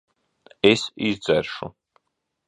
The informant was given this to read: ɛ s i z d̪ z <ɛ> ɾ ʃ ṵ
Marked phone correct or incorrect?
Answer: correct